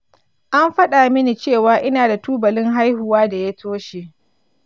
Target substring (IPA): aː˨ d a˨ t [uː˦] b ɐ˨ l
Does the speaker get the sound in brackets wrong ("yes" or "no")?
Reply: no